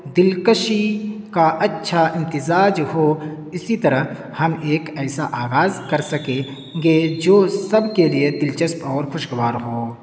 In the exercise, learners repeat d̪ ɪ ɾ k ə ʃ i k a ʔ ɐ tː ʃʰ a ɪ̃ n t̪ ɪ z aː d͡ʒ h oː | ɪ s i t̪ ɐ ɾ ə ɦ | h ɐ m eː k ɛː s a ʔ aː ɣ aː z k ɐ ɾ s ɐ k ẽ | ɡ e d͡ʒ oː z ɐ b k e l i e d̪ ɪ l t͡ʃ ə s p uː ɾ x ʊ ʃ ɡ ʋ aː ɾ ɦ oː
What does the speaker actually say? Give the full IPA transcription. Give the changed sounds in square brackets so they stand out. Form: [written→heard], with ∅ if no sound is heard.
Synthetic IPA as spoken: d̪ ɪ [ɾ→l] k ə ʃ i k a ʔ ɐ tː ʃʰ a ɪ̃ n t̪ ɪ z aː d͡ʒ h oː | ɪ s i t̪ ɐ ɾ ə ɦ | h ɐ m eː k ɛː s a ʔ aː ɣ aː z k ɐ ɾ s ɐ k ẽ | ɡ e d͡ʒ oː [z→s] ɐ b k e l i e d̪ ɪ l t͡ʃ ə s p [uː→ɔː] ɾ x ʊ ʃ ɡ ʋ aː ɾ ɦ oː